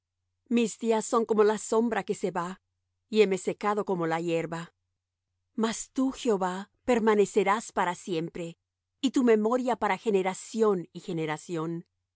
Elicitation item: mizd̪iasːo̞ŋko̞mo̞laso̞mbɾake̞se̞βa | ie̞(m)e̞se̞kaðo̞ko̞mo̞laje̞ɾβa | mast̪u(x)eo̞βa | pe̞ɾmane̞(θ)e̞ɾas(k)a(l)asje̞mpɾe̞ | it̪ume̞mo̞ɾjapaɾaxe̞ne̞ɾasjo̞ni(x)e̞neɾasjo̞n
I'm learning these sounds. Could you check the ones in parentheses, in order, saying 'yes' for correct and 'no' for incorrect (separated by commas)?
yes, yes, no, no, no, yes